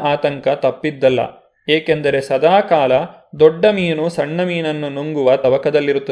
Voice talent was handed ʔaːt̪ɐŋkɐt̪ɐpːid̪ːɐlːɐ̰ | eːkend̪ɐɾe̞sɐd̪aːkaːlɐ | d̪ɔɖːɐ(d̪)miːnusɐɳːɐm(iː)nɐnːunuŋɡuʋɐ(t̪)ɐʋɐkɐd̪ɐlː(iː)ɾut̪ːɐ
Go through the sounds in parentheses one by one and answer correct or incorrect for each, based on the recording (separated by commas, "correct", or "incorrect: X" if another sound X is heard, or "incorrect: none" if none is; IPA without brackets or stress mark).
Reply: incorrect: none, correct, correct, incorrect: i